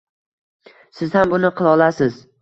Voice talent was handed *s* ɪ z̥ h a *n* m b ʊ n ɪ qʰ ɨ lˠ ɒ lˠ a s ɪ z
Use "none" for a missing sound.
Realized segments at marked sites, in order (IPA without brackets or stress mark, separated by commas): s, none